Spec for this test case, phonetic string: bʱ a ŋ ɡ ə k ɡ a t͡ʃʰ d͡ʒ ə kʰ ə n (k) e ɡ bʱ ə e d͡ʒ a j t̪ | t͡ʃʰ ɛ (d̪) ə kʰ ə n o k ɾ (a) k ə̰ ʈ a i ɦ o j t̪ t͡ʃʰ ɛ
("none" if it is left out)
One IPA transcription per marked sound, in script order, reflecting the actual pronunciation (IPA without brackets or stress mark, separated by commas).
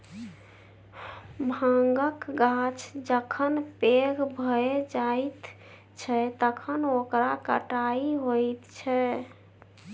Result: p, t̪, a